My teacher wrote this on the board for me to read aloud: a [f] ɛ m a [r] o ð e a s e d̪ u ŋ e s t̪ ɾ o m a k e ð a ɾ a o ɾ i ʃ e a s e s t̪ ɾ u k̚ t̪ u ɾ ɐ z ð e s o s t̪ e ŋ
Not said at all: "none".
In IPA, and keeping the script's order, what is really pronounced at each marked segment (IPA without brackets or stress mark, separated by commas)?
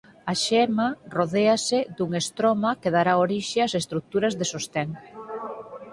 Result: ʃ, r